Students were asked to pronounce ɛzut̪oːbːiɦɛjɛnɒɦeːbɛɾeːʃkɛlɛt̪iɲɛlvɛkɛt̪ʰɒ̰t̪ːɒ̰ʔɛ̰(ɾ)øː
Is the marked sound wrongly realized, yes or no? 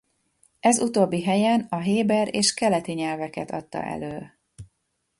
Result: yes